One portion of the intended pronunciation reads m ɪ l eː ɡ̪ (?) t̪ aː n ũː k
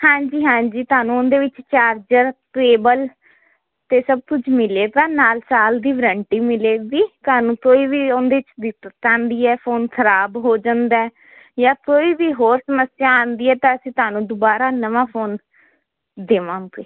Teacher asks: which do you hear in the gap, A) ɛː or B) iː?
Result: B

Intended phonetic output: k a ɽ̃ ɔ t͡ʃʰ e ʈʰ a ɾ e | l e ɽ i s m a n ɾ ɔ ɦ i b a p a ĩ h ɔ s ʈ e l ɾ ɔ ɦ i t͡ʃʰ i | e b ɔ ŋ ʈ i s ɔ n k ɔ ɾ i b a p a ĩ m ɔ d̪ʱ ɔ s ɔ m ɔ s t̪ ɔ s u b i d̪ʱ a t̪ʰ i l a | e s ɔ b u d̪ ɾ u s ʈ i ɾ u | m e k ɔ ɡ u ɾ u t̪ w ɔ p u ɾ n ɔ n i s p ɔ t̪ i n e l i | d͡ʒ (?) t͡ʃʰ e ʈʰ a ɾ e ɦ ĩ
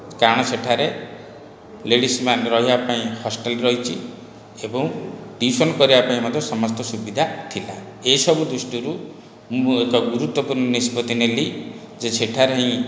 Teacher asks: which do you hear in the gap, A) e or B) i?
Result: A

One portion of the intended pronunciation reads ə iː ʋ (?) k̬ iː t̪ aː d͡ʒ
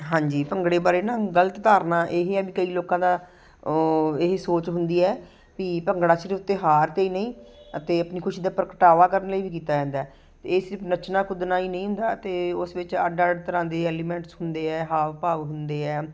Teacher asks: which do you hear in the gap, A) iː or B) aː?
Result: A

